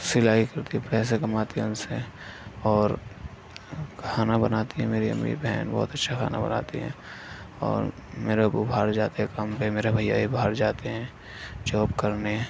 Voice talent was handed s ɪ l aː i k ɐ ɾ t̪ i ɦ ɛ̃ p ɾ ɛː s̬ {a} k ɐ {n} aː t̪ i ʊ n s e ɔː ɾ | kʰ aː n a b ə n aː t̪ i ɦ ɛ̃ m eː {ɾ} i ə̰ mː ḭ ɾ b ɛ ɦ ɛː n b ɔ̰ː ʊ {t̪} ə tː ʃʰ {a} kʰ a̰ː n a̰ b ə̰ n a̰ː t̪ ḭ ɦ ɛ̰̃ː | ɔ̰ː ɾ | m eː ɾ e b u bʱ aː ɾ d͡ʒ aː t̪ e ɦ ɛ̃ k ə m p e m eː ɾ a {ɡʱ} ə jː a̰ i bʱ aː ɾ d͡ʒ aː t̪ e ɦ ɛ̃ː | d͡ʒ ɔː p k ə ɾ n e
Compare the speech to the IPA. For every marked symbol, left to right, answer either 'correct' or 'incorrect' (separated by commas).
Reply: incorrect, incorrect, correct, correct, correct, incorrect